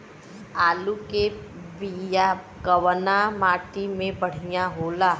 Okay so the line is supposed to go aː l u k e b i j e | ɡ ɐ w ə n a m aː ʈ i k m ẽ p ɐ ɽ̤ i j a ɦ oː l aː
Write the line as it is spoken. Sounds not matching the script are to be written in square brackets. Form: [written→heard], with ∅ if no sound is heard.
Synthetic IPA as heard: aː l u k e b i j [e→a] | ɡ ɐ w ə n a m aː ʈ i [k→∅] m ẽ p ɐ ɽ̤ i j a ɦ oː l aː